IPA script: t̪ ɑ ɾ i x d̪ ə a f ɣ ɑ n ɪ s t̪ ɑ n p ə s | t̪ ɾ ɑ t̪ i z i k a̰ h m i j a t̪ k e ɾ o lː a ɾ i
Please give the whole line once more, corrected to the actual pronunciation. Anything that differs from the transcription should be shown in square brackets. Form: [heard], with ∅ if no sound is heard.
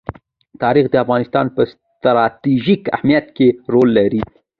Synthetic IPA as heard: t̪ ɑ ɾ i x d̪ ə a f ɣ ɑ n ɪ s t̪ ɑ n p ə s | t̪ ɾ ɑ t̪ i [ʒ] i k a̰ h m i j a t̪ k e ɾ o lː a ɾ i